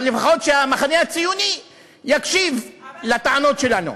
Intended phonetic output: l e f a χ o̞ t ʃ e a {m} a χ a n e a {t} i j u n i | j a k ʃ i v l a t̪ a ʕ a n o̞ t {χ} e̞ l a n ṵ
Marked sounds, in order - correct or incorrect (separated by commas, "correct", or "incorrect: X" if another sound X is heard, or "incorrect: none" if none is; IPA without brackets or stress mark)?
correct, incorrect: t͡s, incorrect: ʃ